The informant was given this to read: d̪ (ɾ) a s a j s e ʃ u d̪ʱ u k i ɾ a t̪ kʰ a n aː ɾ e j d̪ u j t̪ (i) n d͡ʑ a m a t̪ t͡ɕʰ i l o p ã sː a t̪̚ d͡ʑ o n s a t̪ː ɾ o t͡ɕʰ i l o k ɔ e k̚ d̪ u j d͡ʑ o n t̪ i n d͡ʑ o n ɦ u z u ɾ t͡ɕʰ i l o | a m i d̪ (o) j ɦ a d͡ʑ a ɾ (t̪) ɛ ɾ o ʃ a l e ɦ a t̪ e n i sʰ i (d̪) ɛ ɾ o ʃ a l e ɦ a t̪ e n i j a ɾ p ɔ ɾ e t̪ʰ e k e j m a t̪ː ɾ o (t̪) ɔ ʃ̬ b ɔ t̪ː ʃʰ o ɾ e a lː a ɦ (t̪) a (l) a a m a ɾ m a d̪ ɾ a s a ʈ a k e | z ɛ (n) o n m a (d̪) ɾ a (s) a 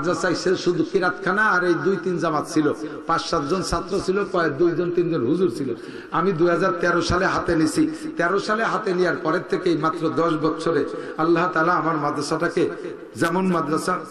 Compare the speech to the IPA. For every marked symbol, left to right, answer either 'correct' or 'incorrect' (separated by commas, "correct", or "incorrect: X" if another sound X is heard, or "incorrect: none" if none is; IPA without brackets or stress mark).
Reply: correct, correct, incorrect: u, correct, incorrect: t̪, incorrect: d̪, correct, correct, incorrect: m, correct, correct